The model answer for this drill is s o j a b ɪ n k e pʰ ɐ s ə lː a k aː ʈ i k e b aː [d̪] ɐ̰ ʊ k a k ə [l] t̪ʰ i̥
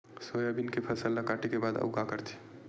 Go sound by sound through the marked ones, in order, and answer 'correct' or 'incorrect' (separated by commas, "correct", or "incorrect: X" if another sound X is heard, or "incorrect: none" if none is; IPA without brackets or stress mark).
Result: correct, incorrect: ɾ